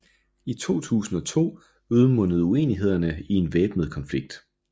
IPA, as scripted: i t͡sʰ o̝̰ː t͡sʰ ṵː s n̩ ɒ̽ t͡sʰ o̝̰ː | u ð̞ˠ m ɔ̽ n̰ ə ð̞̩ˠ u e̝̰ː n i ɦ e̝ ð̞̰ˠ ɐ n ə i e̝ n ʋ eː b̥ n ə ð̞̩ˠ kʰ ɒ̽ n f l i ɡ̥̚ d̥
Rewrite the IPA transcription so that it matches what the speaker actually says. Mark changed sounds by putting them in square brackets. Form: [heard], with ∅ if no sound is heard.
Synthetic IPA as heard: i t͡sʰ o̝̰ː t͡sʰ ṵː s n̩ ɒ̽ t͡sʰ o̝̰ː | u ð̞ˠ m ɔ̽ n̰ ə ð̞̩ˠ u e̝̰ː n i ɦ e̝ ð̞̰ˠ ɐ n ə i e̝ n ʋ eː b̥ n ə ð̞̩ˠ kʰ ɒ̽ n f l i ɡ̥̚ d̥